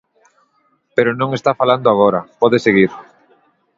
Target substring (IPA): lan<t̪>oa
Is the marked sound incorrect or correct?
incorrect